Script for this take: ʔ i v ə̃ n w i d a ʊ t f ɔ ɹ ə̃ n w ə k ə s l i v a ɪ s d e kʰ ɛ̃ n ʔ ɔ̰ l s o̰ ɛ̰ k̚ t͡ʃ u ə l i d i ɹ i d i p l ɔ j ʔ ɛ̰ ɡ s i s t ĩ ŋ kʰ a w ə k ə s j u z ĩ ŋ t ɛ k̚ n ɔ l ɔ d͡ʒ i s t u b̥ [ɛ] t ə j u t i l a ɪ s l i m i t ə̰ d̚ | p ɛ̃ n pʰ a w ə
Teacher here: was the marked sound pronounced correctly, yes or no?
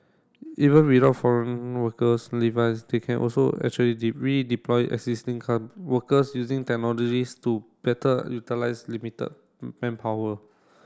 yes